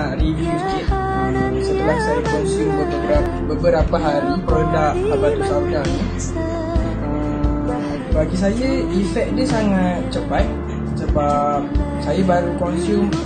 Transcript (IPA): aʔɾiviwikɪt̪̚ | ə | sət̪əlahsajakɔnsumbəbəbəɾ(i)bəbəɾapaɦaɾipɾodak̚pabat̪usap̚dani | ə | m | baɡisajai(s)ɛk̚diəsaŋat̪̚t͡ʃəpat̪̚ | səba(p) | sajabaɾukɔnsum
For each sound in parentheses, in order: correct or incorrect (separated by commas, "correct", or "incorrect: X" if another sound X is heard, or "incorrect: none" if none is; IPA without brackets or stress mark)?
incorrect: a, incorrect: f, correct